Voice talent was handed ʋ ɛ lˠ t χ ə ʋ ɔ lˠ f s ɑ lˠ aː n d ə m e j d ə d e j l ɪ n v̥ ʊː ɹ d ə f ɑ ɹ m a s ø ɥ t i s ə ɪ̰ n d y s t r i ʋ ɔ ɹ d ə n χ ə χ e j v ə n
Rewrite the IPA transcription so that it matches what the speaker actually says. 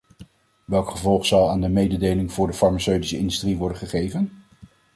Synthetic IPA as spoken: ʋ ɛ lˠ k χ ə v ɔ lˠ χ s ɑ lˠ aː n d ə m e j d ə d e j l ɪ ŋ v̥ ʊː ɹ d ə f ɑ ɹ m a s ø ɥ t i s ə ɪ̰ n d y s t r i ʋ ɔ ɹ d ə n χ ə χ e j v ə n